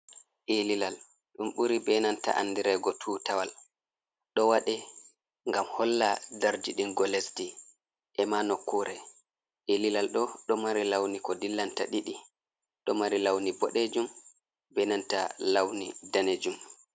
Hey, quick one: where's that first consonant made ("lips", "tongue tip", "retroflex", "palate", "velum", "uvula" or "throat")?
throat